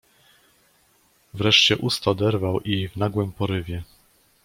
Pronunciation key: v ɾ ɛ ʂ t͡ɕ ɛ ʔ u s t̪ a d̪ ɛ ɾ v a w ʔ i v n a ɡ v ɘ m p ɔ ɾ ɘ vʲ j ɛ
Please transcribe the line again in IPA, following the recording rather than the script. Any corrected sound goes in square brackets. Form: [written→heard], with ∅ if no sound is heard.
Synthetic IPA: v ɾ ɛ ʂ t͡ɕ ɛ ʔ u s t̪ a d̪ ɛ ɾ v a w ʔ i v n a ɡ [v→w] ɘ m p ɔ ɾ ɘ vʲ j ɛ